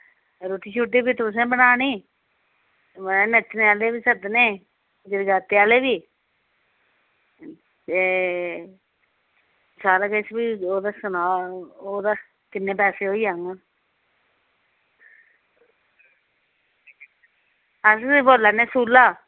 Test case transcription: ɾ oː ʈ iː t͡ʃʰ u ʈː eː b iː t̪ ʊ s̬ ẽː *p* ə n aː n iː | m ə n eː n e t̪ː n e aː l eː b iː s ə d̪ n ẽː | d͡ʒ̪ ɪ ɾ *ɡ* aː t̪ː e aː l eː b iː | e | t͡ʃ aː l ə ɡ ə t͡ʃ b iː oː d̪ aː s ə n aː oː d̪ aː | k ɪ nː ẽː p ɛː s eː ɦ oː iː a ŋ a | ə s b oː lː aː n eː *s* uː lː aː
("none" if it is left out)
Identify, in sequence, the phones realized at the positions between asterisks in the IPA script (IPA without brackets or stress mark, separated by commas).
b, ɡ, s